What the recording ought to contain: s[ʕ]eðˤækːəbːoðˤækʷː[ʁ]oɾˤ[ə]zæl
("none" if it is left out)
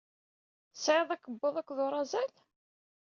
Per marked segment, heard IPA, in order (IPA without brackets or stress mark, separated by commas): ʕ, ð, ɑ